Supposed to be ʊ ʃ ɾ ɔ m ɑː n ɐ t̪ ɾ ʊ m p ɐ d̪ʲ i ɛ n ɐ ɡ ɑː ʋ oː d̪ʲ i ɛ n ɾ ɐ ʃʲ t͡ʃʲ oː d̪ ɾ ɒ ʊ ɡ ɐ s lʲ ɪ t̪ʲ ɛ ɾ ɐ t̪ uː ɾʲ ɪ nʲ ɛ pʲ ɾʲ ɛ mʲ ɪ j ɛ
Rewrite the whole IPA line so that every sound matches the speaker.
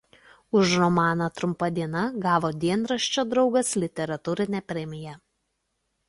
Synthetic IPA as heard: ʊ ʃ ɾ ɔ m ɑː n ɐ t̪ ɾ ʊ m p ɐ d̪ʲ i ɛ n ɐ ɡ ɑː ʋ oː d̪ʲ i ɛ n ɾ ɐ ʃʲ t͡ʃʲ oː d̪ ɾ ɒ ʊ ɡ ɐ s lʲ ɪ t̪ʲ ɛ ɾ ɐ t̪ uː ɾʲ ɪ nʲ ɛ pʲ ɾʲ ɛ mʲ ɪ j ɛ